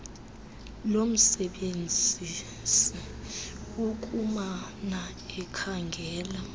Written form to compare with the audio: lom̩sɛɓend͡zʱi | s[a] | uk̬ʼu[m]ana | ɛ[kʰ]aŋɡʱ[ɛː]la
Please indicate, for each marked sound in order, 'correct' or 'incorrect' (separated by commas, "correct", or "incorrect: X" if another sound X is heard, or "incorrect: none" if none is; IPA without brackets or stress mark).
incorrect: i, correct, correct, correct